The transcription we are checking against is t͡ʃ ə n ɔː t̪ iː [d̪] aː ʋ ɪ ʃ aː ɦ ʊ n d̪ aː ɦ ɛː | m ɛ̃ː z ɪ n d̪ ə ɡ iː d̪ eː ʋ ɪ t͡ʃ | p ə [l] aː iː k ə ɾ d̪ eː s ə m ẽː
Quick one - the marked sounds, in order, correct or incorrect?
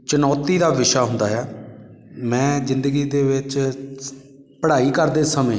correct, incorrect: ɽ

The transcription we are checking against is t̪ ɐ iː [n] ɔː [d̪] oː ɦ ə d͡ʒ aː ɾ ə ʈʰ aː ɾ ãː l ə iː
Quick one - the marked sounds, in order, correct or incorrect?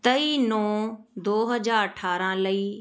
correct, correct

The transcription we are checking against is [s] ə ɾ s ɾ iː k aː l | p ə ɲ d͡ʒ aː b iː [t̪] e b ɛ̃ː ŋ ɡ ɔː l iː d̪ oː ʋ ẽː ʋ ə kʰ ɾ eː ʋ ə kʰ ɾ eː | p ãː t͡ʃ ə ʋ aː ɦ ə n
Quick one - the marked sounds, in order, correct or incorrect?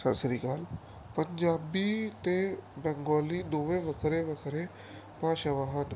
correct, correct

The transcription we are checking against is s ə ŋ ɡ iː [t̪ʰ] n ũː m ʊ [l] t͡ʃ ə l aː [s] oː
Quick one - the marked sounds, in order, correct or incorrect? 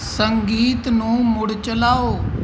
incorrect: t̪, incorrect: ɽ, incorrect: none

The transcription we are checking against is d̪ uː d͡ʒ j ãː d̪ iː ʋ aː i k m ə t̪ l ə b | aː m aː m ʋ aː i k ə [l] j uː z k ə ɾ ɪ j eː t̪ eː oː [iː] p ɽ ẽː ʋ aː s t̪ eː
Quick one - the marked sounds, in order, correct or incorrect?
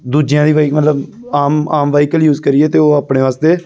correct, incorrect: aː

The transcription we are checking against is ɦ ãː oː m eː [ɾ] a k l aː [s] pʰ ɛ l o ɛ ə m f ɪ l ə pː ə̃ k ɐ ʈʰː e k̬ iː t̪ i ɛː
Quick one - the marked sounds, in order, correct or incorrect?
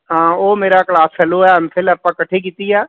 correct, correct

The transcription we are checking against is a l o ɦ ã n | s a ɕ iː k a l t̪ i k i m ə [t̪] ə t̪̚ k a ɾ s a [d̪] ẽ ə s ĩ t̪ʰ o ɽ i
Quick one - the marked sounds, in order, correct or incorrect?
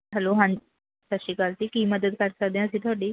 incorrect: d̪, correct

